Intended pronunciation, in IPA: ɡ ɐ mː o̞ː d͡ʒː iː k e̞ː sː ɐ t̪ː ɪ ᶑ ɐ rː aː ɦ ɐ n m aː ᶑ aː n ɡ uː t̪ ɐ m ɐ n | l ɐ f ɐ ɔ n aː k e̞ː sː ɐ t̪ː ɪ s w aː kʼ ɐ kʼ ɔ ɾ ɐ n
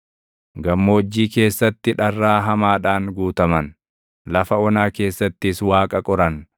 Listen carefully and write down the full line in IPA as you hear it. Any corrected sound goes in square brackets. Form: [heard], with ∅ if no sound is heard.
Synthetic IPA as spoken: ɡ ɐ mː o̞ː d͡ʒː iː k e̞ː sː ɐ t̪ː ɪ ᶑ ɐ rː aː ɦ ɐ [∅] m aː ᶑ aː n ɡ uː t̪ ɐ m ɐ n | l ɐ f ɐ ɔ n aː k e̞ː sː ɐ t̪ː ɪ s w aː kʼ ɐ kʼ ɔ ɾ ɐ n

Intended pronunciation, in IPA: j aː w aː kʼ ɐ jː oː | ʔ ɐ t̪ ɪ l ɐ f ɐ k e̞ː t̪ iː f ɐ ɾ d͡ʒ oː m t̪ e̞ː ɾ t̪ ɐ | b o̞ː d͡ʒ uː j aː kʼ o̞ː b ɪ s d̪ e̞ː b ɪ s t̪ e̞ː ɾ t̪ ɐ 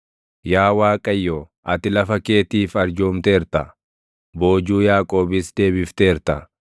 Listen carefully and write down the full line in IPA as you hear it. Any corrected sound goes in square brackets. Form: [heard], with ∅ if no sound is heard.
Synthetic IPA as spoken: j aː w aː kʼ ɐ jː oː | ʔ ɐ t̪ ɪ l ɐ f ɐ k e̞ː t̪ iː f ɐ ɾ d͡ʒ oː m t̪ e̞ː ɾ t̪ ɐ | b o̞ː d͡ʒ uː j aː kʼ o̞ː b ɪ s d̪ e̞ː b ɪ [f] t̪ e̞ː ɾ t̪ ɐ

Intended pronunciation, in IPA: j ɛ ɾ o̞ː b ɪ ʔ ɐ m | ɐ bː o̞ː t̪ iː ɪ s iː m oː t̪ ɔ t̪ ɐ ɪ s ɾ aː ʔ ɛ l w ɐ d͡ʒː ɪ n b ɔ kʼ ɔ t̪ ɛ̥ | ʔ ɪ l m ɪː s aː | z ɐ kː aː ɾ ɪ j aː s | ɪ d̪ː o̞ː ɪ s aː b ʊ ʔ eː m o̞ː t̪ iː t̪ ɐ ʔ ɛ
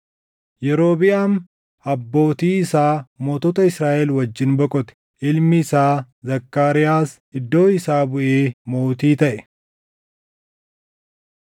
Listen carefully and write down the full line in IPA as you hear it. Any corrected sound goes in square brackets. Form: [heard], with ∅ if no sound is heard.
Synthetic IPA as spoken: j ɛ ɾ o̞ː b ɪ ʔ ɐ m | ɐ bː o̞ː t̪ iː ɪ s [aː] m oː t̪ ɔ t̪ ɐ ɪ s ɾ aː ʔ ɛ l w ɐ d͡ʒː ɪ n b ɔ kʼ ɔ t̪ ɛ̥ | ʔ ɪ l m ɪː s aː | z ɐ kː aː ɾ ɪ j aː s | ɪ d̪ː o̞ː ɪ s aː b ʊ ʔ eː m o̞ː t̪ iː t̪ ɐ ʔ ɛ

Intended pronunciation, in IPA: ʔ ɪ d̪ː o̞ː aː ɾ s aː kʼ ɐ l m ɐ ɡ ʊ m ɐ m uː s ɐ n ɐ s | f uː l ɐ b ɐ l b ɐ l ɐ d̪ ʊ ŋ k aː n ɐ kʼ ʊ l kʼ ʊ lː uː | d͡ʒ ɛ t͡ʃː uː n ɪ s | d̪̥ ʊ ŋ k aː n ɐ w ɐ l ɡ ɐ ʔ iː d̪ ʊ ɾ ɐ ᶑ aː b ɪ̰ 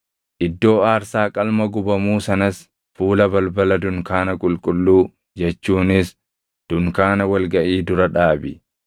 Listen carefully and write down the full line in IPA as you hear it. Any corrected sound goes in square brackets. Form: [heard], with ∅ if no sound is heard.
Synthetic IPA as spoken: ʔ ɪ d̪ː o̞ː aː ɾ s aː kʼ ɐ l m ɐ ɡ ʊ [b] ɐ m uː s ɐ n ɐ s | f uː l ɐ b ɐ l b ɐ l ɐ d̪ ʊ ŋ k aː n ɐ kʼ ʊ l kʼ ʊ lː uː | d͡ʒ ɛ t͡ʃː uː n ɪ s | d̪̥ ʊ ŋ k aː n ɐ w ɐ l ɡ ɐ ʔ iː d̪ ʊ ɾ ɐ ᶑ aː b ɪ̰

